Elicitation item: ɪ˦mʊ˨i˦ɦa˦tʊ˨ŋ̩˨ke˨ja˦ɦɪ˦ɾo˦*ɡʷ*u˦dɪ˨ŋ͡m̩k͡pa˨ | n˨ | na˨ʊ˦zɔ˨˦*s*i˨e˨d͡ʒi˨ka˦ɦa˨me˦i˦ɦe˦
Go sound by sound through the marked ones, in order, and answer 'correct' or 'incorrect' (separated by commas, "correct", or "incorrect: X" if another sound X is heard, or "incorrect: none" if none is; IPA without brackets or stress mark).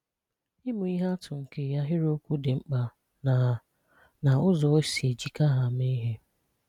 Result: incorrect: kʷ, correct